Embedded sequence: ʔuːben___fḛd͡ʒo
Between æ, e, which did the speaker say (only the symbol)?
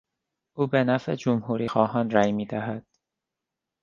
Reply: æ